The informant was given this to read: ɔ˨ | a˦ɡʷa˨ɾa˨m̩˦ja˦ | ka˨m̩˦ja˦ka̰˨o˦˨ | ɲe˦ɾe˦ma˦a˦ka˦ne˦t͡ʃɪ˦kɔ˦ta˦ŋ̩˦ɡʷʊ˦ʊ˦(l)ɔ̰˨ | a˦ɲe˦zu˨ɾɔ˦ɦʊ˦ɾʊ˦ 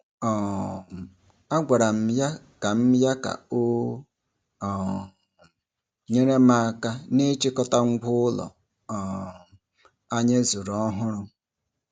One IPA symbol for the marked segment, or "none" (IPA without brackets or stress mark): l